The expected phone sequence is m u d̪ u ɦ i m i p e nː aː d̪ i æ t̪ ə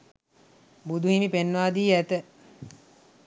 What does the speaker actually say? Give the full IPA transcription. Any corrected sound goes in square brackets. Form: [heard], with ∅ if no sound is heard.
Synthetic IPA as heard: [b] u d̪ u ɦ i m i p e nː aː d̪ [iː] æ t̪ ə

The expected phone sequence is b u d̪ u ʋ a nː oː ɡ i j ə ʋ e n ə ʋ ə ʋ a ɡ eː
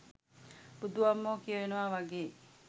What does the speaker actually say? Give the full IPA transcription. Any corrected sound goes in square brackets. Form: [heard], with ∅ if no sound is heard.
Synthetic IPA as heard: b u d̪ u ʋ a [mː] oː [k] i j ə ʋ e n ə ʋ [a] ʋ a ɡ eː

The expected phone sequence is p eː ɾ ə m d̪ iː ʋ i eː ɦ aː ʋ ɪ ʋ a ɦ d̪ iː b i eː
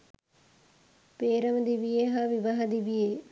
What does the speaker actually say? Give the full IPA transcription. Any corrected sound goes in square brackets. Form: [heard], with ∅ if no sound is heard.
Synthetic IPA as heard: p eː ɾ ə m d̪ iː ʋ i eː ɦ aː ʋ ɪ ʋ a ɦ d̪ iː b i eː

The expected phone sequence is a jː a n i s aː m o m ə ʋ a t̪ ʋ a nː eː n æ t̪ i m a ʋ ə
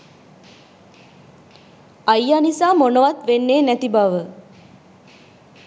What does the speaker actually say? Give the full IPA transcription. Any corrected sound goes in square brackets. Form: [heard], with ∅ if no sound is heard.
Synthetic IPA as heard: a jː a n i s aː m o [n] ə ʋ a t̪ ʋ [e] nː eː n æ t̪ i [b] a ʋ ə

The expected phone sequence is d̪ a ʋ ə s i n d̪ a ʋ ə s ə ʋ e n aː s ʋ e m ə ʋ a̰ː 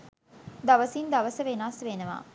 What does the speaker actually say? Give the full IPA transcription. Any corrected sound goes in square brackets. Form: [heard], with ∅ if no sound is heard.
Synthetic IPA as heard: d̪ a ʋ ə s i n d̪ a ʋ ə s ə ʋ e n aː s ʋ e [n] ə ʋ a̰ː

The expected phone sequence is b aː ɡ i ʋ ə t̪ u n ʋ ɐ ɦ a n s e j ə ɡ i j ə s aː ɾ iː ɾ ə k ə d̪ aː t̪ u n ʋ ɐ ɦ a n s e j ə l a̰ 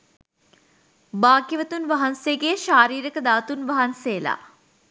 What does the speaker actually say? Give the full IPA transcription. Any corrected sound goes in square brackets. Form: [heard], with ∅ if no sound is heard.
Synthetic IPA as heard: b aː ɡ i ʋ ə t̪ u n ʋ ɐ ɦ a n s e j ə ɡ [e] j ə [ʃ] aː ɾ iː ɾ ə k ə d̪ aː t̪ u n ʋ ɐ ɦ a n s e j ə l a̰

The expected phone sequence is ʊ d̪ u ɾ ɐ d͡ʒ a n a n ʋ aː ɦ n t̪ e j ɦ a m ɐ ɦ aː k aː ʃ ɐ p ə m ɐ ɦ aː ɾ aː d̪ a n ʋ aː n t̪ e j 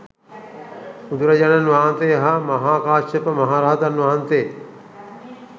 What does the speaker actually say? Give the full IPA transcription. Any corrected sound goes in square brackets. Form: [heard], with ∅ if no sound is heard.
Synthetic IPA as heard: [u] d̪ u ɾ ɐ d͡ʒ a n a n ʋ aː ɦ n t̪ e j ɦ a m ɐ ɦ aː k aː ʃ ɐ p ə m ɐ ɦ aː ɾ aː d̪ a n ʋ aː n t̪ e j

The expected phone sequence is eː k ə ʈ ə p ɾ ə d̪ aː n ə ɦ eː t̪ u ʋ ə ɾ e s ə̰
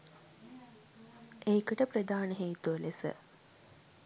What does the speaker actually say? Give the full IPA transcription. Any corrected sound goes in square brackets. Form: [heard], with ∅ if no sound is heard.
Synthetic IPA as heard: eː k ə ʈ ə p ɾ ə d̪ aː n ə ɦ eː t̪ u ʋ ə [l] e s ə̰

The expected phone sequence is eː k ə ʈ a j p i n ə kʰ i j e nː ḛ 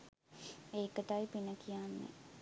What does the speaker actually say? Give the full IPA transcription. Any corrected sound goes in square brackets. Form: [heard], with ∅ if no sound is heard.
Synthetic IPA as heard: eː k ə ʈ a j p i n ə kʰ i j [a] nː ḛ

